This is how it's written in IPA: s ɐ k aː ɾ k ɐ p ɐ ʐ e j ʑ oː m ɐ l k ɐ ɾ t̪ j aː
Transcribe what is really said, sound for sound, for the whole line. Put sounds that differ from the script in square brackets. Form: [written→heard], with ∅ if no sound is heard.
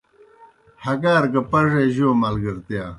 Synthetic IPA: [s→h] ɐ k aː ɾ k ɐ p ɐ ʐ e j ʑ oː m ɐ l [k→ɡ] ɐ ɾ t̪ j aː